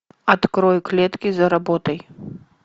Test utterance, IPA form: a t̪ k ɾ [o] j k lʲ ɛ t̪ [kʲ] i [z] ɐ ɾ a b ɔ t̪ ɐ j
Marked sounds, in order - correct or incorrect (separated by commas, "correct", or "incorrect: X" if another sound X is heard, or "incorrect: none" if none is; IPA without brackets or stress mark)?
incorrect: ɔ, correct, correct